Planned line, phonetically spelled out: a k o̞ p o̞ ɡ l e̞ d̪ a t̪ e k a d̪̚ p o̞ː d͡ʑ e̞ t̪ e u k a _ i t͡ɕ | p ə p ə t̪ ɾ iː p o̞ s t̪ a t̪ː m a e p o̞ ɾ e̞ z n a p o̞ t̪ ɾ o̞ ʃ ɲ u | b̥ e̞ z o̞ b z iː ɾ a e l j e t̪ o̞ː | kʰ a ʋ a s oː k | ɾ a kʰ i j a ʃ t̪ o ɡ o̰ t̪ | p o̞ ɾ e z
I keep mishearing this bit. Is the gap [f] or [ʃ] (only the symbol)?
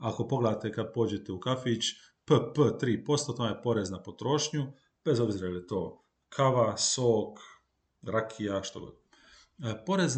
f